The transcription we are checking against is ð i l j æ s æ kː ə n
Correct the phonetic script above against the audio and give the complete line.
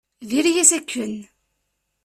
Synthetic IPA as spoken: ð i ɾ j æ s æ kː ə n